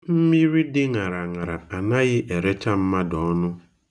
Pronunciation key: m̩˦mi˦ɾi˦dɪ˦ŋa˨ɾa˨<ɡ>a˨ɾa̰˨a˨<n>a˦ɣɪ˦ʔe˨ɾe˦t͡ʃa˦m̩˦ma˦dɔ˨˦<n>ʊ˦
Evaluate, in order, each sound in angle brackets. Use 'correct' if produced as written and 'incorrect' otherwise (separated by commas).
incorrect, correct, correct